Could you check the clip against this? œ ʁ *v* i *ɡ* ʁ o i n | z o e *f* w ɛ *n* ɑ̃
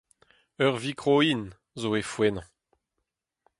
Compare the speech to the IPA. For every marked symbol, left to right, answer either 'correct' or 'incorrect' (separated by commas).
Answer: correct, incorrect, correct, correct